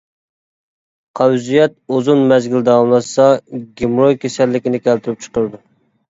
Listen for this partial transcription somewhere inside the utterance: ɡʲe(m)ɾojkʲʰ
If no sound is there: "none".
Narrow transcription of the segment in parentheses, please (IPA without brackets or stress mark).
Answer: m